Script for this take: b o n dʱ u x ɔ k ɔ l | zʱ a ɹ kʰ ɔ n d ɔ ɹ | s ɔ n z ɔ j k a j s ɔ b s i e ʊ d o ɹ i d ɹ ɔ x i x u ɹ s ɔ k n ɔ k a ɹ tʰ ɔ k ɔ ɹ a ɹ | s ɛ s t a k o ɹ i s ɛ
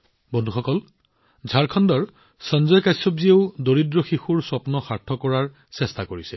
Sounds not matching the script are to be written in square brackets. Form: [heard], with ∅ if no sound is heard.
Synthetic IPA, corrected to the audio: b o n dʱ u x ɔ k ɔ l | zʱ a ɹ kʰ ɔ n d ɔ ɹ | s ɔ n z ɔ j k a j s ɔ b [z] i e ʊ d o ɹ i d ɹ ɔ x i x u ɹ s ɔ [p] n ɔ [x] a ɹ tʰ ɔ k ɔ ɹ a ɹ | s ɛ s t a k o ɹ i s ɛ

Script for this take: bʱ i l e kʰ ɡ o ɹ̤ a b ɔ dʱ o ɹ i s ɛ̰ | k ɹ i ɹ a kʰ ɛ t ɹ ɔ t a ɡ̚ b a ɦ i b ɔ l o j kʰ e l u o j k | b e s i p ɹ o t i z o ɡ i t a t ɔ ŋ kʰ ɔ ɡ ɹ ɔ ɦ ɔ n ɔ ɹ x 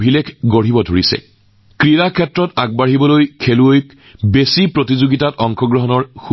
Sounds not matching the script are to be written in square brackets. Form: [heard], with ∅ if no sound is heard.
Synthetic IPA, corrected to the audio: bʱ i l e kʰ ɡ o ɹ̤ [i] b ɔ dʱ o ɹ i s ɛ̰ | k ɹ i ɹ a kʰ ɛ t ɹ ɔ t a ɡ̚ b a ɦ i b ɔ l o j kʰ e l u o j k | b e s i p ɹ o t i z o ɡ i t a t ɔ ŋ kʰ ɔ ɡ ɹ ɔ ɦ ɔ n ɔ ɹ x

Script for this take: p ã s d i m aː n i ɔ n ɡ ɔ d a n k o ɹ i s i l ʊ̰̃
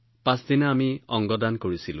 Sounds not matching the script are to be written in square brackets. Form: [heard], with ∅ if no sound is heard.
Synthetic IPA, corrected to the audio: p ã s d i [n] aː [m] i ɔ [ŋ] ɡ ɔ d a n k o ɹ i s i l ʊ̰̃

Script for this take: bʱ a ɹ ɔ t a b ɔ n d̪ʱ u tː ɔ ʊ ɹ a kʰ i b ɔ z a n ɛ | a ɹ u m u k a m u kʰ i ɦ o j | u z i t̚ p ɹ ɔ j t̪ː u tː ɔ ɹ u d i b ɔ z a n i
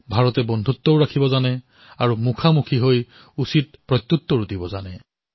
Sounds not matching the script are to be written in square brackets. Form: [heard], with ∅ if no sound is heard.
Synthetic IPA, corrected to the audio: bʱ a ɹ ɔ t [ɛ] b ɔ n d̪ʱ u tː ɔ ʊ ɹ a kʰ i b ɔ z a n ɛ | a ɹ u m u [kʰ] a m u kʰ i ɦ o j | u [s] i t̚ p ɹ ɔ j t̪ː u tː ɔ ɹ u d i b ɔ z a n [ɛ]

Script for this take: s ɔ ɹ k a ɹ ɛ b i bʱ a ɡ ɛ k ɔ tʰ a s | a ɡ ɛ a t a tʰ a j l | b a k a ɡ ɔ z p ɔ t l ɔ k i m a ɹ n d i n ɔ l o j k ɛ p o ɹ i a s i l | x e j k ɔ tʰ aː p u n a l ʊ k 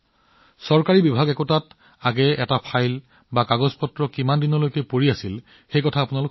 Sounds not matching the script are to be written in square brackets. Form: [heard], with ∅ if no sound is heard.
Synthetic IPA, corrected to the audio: s ɔ ɹ k a ɹ [i] b i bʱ a ɡ ɛ k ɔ [t] a [t] | a ɡ ɛ [ɛ] t a [pʰ] a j l | b a k a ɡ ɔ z p ɔ t [ɹ] ɔ k i m a [∅] n d i n ɔ l o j k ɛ p o ɹ i a s i l | x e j k ɔ tʰ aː p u n a l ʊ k

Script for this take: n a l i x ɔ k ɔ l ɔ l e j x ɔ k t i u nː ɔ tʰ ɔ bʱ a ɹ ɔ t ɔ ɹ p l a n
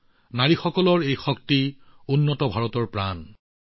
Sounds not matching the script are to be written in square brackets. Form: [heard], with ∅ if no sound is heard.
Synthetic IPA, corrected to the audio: n a [ɹ] i x ɔ k ɔ l ɔ [ɹ] e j x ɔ k t i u nː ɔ [t] ɔ bʱ a ɹ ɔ t ɔ ɹ p [ɹ] a n

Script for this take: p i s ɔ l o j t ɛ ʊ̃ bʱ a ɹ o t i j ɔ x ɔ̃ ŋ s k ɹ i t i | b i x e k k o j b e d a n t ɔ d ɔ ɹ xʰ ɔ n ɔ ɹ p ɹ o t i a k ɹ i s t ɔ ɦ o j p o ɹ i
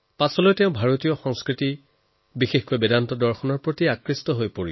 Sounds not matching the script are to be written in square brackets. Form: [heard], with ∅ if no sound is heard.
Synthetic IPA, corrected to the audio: p [a] s ɔ l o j t ɛ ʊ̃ bʱ a ɹ o t i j ɔ x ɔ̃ ŋ s k ɹ i t i | b i x e [x] k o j b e d a n t ɔ d ɔ ɹ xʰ ɔ n ɔ ɹ p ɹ o t i a k ɹ i s t ɔ ɦ o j p o ɹ i

